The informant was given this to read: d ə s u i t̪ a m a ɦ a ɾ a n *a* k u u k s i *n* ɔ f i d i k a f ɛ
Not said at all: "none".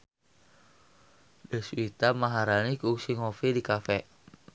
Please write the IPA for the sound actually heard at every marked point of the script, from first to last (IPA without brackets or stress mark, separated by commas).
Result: i, ŋ